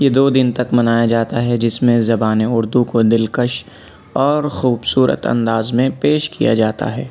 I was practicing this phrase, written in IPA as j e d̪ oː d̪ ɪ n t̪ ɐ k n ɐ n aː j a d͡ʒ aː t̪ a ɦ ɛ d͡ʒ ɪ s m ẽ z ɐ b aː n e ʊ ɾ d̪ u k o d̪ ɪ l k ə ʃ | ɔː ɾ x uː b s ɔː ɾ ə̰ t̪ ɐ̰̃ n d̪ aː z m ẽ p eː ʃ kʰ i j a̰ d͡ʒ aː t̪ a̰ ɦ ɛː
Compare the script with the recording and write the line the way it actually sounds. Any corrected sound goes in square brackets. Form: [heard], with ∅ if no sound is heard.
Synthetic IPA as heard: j e d̪ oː d̪ ɪ n t̪ ɐ k [m] ɐ n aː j a d͡ʒ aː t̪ a ɦ ɛ d͡ʒ ɪ s m ẽ z ɐ b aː n e ʊ ɾ d̪ u k o d̪ ɪ l k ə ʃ | ɔː ɾ x uː b s [uː] ɾ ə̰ t̪ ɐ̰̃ n d̪ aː z m ẽ p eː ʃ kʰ i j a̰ d͡ʒ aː t̪ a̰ ɦ ɛː